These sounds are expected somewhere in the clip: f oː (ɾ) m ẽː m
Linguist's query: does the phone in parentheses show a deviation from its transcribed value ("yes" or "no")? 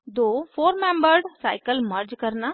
no